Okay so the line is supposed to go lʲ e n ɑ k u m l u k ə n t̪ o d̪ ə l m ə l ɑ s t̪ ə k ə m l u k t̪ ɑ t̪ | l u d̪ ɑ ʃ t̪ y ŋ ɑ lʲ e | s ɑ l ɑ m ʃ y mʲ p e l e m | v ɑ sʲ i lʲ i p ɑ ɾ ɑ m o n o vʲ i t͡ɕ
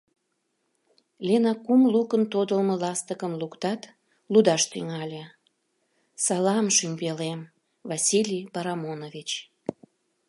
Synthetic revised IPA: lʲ e n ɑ k u m l u k ə n t̪ o d̪ ə l m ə l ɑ s t̪ ə k ə m l u k t̪ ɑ t̪ | l u d̪ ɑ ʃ t̪ y ŋ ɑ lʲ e | s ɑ l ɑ m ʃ y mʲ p e l e m | v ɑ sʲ i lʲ i p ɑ ɾ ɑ m o n o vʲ i t͡ɕ